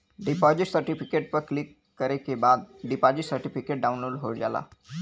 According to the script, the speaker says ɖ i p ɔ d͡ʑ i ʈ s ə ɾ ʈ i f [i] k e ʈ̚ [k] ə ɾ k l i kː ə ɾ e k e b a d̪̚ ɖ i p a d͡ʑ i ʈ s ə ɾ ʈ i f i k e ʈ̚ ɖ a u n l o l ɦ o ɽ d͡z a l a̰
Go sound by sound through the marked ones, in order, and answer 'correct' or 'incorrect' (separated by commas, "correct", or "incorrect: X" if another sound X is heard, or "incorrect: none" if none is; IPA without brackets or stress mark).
correct, incorrect: p